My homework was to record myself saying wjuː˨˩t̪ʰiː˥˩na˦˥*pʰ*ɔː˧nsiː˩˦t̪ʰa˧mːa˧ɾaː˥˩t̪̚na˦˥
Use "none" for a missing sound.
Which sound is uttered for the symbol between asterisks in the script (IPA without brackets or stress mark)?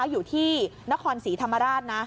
kʰ